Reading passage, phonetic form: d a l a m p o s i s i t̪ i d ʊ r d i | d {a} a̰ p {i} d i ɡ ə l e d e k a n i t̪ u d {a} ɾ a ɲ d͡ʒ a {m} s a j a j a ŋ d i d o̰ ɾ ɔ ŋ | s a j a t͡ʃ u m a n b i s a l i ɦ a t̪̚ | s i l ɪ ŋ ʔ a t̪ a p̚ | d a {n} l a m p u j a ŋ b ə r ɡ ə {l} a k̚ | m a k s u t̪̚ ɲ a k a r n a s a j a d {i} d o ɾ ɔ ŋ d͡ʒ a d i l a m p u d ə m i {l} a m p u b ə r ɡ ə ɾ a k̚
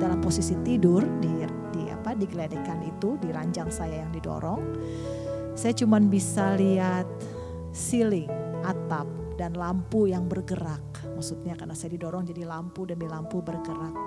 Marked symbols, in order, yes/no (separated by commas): no, no, no, no, yes, no, yes, yes